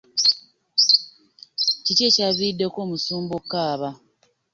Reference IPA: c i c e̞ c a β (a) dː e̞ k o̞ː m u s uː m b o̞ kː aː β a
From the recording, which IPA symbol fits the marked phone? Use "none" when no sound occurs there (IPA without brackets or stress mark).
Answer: i